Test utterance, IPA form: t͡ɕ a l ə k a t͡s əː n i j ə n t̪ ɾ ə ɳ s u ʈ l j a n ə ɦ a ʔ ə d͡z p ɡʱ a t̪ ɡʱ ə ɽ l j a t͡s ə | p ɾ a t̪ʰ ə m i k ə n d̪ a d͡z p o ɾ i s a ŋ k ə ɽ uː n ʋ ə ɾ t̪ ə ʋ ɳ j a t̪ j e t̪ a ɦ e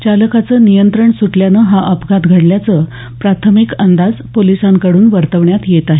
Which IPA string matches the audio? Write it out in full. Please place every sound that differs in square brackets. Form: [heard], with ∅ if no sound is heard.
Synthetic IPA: t͡ɕ a l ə k a t͡s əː n i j ə n t̪ ɾ ə ɳ s u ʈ l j a n ə ɦ a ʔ ə [∅] p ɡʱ a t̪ ɡʱ ə ɽ l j a t͡s ə | p ɾ a t̪ʰ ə m i k ə n d̪ a d͡z p o [l] i s a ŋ k ə ɽ uː n ʋ ə ɾ t̪ ə ʋ ɳ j a t̪ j e t̪ a ɦ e